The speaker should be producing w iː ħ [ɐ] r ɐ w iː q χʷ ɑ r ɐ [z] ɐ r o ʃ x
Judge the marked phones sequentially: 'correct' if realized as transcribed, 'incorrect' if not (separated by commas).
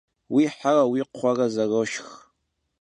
incorrect, correct